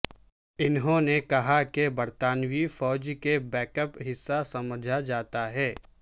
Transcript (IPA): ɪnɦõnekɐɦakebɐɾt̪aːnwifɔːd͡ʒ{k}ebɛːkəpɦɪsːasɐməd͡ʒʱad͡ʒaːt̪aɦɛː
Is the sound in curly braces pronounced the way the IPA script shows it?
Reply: yes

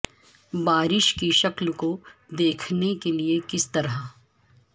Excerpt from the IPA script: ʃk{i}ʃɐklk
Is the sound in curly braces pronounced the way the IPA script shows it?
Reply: yes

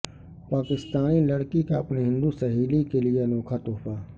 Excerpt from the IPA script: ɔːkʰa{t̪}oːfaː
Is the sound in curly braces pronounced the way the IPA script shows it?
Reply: yes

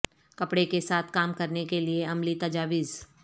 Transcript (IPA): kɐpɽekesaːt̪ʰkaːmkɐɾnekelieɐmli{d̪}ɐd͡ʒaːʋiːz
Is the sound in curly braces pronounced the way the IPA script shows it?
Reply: no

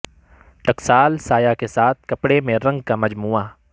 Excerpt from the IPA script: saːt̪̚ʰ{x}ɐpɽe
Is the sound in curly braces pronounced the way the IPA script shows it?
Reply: no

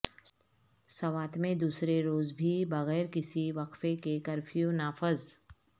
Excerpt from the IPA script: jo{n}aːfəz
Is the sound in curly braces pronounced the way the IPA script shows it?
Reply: yes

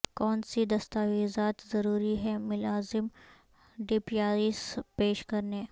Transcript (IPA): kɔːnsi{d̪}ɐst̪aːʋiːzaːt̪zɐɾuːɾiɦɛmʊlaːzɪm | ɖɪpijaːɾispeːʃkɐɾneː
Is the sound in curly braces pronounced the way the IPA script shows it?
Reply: yes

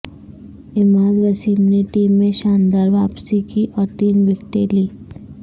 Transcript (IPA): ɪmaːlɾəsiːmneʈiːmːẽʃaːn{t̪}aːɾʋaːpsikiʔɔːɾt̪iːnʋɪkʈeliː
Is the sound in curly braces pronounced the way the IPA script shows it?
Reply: no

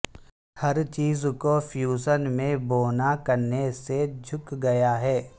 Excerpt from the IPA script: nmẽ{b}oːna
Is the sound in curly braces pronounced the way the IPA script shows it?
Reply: yes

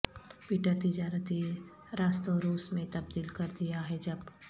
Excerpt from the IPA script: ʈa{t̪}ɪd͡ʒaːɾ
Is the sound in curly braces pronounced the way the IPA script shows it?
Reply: yes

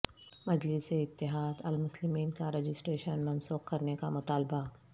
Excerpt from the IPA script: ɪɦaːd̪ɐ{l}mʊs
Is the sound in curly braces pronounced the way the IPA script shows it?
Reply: yes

